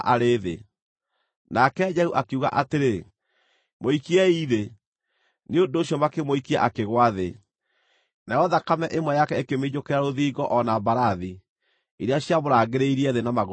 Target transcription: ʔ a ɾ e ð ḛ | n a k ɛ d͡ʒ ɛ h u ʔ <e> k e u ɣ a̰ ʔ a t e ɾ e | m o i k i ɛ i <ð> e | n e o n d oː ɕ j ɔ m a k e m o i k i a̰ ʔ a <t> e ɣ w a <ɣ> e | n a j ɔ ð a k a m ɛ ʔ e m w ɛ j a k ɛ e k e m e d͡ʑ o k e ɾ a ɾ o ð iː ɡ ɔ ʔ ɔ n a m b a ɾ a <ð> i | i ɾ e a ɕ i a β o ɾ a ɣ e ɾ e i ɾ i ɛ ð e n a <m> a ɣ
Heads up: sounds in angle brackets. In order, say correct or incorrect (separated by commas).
incorrect, correct, incorrect, incorrect, correct, correct